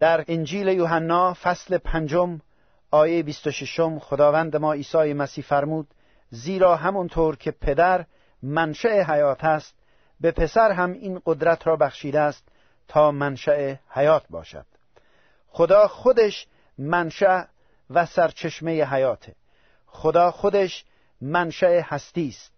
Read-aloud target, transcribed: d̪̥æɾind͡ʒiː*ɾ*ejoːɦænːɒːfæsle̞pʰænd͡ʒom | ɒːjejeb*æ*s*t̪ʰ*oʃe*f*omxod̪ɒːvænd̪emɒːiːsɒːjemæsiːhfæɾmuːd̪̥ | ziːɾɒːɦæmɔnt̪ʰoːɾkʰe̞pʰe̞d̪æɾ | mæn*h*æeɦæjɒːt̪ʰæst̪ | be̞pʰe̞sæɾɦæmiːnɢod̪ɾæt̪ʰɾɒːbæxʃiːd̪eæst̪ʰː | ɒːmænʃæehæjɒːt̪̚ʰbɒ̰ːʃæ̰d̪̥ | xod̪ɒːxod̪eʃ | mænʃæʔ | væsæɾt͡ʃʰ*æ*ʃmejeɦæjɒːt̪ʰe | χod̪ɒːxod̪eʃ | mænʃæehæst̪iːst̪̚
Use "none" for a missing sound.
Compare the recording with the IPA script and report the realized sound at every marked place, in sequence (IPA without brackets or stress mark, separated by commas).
l, i, t̪, ʃ, ʃ, e